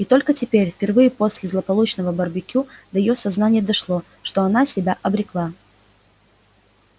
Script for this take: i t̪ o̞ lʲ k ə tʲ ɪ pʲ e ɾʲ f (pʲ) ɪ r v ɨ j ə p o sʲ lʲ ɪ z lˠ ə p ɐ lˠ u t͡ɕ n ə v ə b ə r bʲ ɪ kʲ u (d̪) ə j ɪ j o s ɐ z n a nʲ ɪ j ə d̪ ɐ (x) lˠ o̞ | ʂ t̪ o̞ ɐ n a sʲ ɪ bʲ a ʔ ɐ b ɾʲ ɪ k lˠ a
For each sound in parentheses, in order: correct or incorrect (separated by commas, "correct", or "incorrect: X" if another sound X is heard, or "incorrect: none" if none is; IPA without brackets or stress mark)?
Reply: correct, correct, incorrect: ʂ